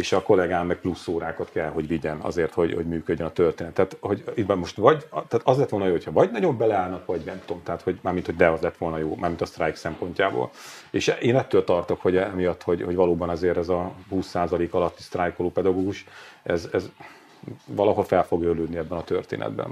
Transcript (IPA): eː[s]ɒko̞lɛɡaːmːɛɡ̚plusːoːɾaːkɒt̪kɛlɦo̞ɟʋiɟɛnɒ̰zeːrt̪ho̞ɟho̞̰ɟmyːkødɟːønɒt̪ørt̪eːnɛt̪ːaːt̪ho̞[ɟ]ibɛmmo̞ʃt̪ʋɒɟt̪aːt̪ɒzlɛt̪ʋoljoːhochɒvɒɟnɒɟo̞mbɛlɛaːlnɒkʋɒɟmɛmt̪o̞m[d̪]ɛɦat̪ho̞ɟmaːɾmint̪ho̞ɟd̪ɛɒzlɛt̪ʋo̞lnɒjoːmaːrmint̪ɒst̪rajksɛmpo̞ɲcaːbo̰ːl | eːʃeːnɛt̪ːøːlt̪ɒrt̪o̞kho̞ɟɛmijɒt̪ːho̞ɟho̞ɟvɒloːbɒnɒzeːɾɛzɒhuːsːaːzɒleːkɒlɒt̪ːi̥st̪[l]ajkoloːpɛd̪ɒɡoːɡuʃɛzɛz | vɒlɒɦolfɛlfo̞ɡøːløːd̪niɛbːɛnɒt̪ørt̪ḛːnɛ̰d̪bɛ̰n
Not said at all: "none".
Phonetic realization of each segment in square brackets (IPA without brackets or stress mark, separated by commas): ʃ, ɟ, t̪, r